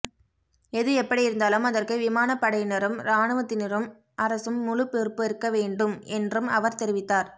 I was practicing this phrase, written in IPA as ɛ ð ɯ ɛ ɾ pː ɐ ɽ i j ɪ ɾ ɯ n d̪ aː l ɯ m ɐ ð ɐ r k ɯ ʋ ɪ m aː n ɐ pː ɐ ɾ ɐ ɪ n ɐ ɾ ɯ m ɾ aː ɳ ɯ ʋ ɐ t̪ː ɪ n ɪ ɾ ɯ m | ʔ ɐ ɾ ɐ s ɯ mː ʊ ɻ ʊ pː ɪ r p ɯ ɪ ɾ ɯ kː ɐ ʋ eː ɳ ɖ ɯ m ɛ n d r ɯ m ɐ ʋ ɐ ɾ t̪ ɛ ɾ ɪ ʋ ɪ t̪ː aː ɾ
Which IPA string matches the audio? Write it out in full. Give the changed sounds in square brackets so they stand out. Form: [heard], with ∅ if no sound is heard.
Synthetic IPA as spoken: ɛ ð ɯ ɛ [∅] pː ɐ ɽ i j ɪ ɾ ɯ n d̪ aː l ɯ m ɐ ð ɐ r k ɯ ʋ ɪ m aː n ɐ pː ɐ [ɽ] ɐ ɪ n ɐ ɾ ɯ m ɾ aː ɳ ɯ ʋ ɐ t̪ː ɪ n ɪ ɾ ɯ m | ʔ ɐ ɾ ɐ s ɯ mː ʊ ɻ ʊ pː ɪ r p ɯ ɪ ɾ ɯ kː ɐ ʋ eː ɳ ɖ ɯ m ɛ n d r ɯ m ɐ ʋ ɐ ɾ t̪ ɛ ɾ ɪ ʋ ɪ t̪ː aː ɾ

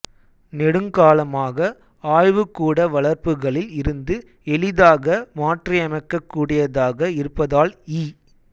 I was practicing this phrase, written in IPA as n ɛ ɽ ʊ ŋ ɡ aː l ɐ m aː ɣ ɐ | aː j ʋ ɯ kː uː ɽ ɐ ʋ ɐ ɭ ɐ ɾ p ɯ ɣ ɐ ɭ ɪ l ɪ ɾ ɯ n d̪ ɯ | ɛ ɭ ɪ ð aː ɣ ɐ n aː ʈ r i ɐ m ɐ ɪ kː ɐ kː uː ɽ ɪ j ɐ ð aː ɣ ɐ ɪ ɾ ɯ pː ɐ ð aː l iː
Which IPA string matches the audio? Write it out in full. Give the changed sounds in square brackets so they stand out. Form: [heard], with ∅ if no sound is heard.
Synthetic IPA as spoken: n ɛ ɽ [ɯ] ŋ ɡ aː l ɐ m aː ɣ ɐ | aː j ʋ ɯ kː uː ɽ ɐ ʋ ɐ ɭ ɐ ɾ p ɯ ɣ ɐ ɭ ɪ l ɪ ɾ ɯ n d̪ ɯ | ɛ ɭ ɪ ð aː ɣ ɐ [m] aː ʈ r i ɐ m ɐ ɪ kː ɐ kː uː ɽ ɪ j ɐ ð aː ɣ ɐ ɪ ɾ ɯ pː ɐ ð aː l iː

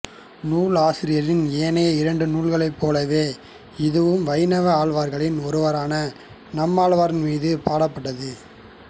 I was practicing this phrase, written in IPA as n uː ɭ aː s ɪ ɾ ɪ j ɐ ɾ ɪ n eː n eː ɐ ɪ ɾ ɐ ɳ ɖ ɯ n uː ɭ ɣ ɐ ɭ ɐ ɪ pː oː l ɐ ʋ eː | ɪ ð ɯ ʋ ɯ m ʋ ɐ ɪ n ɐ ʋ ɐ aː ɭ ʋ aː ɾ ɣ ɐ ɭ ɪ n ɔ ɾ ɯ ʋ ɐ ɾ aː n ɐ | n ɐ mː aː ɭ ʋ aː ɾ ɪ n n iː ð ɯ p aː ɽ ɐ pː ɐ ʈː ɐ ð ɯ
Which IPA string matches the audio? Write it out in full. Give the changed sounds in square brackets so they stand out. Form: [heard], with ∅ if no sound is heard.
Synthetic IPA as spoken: n uː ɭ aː s ɪ ɾ ɪ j ɐ ɾ ɪ n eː n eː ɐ ɪ ɾ ɐ ɳ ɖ ɯ n uː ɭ ɣ ɐ ɭ ɐ ɪ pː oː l ɐ ʋ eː | ɪ ð ɯ ʋ ɯ m ʋ ɐ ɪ n ɐ ʋ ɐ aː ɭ ʋ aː ɾ ɣ ɐ ɭ ɪ n ɔ ɾ ɯ ʋ ɐ ɾ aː n ɐ | n ɐ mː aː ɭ ʋ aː ɾ ɪ n [m] iː ð ɯ p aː ɽ ɐ pː ɐ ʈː ɐ ð ɯ

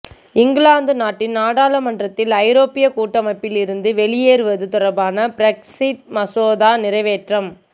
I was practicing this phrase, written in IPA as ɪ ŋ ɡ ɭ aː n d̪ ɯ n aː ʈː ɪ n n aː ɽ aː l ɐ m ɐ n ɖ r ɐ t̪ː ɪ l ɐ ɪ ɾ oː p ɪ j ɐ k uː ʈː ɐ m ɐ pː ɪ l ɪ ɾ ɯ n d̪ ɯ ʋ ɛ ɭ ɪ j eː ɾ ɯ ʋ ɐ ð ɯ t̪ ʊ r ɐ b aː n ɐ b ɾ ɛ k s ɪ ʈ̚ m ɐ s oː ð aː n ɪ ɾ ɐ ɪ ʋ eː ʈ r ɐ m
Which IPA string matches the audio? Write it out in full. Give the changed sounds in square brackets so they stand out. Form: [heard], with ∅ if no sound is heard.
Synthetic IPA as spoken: ɪ ŋ ɡ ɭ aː n d̪ ɯ n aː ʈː ɪ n n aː ɽ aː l ɐ m ɐ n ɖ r ɐ t̪ː ɪ l ɐ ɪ ɾ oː p ɪ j ɐ k uː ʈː ɐ m ɐ pː ɪ l ɪ ɾ ɯ n d̪ ɯ ʋ ɛ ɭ ɪ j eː ɾ ɯ ʋ ɐ ð ɯ t̪ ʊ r ɐ b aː n ɐ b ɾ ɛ k s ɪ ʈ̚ m ɐ s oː ð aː n ɪ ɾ ɐ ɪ ʋ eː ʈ r ɐ m

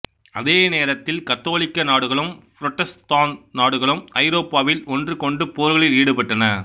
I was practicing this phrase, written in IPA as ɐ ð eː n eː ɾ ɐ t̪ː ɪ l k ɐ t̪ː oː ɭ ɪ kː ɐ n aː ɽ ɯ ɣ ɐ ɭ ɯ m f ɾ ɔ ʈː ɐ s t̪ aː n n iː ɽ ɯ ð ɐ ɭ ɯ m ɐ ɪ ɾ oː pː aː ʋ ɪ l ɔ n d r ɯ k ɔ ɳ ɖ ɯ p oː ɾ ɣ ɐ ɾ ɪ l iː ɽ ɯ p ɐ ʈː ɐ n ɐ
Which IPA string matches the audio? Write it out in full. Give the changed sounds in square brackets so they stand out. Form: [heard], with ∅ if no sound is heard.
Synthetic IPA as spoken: ɐ ð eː n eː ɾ ɐ t̪ː ɪ l k ɐ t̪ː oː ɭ ɪ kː ɐ n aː ɽ ɯ ɣ ɐ ɭ ɯ m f ɾ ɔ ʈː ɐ s t̪ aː n n [aː] ɽ ɯ [ɣ] ɐ ɭ ɯ m ɐ ɪ ɾ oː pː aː ʋ ɪ l ɔ n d r ɯ k ɔ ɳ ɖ ɯ p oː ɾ ɣ ɐ [ɭ] ɪ l iː ɽ ɯ p ɐ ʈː ɐ n ɐ

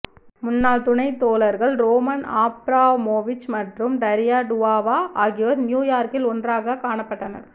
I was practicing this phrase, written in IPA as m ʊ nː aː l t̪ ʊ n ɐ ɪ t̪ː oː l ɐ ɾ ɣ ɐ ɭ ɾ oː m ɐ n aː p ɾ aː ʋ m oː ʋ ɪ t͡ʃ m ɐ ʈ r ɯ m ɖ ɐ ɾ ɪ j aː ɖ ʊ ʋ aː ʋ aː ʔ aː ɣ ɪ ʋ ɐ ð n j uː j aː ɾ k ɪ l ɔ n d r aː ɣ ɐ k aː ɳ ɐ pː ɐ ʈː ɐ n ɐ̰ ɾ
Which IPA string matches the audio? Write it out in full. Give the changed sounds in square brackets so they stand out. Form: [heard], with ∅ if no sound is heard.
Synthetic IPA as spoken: m ʊ nː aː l t̪ ʊ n ɐ ɪ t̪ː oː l ɐ ɾ ɣ ɐ ɭ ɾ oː m ɐ n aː p ɾ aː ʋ m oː ʋ ɪ t͡ʃ m ɐ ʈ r ɯ m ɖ ɐ ɾ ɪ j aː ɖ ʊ ʋ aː ʋ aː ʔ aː ɣ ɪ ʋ ɐ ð n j uː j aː ɾ k ɪ l ɔ n d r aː ɣ ɐ k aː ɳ ɐ pː ɐ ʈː ɐ n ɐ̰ ɾ

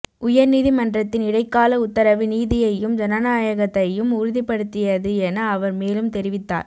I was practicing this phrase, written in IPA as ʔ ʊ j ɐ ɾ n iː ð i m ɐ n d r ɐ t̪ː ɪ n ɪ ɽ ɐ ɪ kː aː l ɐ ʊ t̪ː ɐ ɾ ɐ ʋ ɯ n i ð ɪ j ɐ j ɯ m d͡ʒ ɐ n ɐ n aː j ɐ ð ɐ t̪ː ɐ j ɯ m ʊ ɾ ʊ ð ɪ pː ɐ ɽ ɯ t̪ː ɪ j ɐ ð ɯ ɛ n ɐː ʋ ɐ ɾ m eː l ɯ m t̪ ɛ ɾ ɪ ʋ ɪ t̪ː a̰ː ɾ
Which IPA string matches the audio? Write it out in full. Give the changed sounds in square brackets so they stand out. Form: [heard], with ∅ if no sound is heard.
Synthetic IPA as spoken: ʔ ʊ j ɐ ɾ n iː ð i m ɐ n d r ɐ t̪ː ɪ n ɪ ɽ ɐ ɪ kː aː l ɐ ʊ t̪ː ɐ ɾ ɐ ʋ ɯ n [iː] ð ɪ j ɐ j ɯ m d͡ʒ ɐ n ɐ n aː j ɐ [ɣ] ɐ t̪ː ɐ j ɯ m ʊ ɾ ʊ ð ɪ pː ɐ ɽ ɯ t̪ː ɪ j ɐ ð ɯ ɛ n ɐː ʋ ɐ ɾ m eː l ɯ m t̪ ɛ ɾ ɪ ʋ ɪ t̪ː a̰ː ɾ

